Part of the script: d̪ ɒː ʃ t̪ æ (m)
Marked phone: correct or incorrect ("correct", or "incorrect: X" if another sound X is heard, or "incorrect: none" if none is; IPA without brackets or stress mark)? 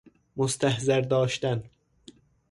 incorrect: n